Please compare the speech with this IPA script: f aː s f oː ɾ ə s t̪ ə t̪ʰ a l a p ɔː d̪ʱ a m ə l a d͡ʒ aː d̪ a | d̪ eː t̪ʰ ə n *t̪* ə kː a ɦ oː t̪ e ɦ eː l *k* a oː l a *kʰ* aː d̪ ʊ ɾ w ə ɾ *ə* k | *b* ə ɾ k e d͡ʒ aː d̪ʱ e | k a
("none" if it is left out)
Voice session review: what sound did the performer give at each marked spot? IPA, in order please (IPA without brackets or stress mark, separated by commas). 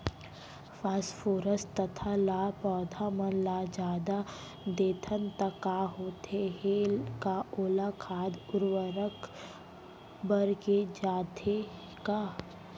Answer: t̪, k, kʰ, ə, b